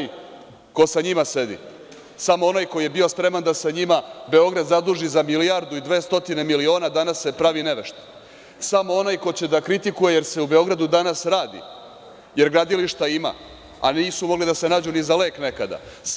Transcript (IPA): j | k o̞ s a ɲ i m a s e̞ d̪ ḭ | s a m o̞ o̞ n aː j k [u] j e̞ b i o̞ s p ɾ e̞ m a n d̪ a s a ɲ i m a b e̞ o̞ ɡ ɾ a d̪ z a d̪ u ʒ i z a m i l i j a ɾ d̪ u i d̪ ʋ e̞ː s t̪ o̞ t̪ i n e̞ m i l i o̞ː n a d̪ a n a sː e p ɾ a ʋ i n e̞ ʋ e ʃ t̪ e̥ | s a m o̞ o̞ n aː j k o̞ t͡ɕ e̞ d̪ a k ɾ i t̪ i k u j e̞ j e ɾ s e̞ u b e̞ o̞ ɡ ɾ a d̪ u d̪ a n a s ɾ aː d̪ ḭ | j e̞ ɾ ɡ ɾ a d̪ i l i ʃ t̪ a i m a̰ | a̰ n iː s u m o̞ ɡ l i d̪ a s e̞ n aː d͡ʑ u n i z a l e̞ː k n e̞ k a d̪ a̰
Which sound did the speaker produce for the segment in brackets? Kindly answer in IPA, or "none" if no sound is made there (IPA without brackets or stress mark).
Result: o